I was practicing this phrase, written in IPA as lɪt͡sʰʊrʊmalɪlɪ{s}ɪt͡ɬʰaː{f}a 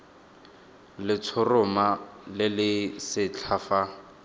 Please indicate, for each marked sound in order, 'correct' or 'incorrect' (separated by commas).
correct, correct